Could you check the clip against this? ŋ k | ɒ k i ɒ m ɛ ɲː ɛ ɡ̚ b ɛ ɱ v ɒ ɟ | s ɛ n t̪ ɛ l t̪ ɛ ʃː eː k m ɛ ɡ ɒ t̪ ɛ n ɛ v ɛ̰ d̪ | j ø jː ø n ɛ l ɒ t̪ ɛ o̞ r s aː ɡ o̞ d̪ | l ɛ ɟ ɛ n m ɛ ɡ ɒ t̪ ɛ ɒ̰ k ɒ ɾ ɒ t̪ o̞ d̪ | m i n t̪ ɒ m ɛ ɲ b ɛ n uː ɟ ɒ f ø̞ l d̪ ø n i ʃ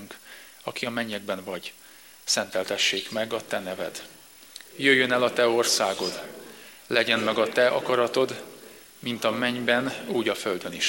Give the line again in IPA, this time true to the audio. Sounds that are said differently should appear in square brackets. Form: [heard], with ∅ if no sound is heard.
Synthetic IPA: ŋ k | ɒ k i ɒ m ɛ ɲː ɛ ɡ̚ b ɛ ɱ v ɒ ɟ | s ɛ n t̪ ɛ l t̪ ɛ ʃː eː k m ɛ ɡ ɒ t̪ ɛ n ɛ v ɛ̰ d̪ | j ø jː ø n ɛ l ɒ t̪ ɛ o̞ r s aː ɡ o̞ d̪ | l ɛ ɟ ɛ n m ɛ ɡ ɒ t̪ ɛ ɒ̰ k ɒ ɾ ɒ t̪ o̞ d̪ | m i n t̪ ɒ m ɛ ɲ b ɛ n uː ɟ ɒ f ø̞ l d̪ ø n i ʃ